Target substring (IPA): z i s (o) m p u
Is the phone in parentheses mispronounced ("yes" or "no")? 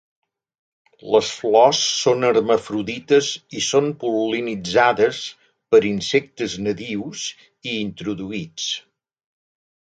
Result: no